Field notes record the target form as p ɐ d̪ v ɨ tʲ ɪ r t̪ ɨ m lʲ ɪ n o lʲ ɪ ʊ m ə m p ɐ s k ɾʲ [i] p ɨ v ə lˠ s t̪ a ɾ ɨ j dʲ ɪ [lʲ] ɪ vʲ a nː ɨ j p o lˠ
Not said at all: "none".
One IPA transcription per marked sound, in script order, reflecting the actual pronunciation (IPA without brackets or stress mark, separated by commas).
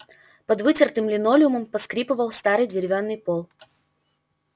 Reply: i, ɾʲ